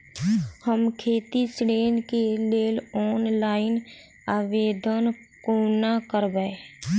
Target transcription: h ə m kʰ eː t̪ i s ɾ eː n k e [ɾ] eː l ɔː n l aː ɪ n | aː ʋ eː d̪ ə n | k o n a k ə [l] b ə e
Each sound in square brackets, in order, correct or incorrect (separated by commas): incorrect, incorrect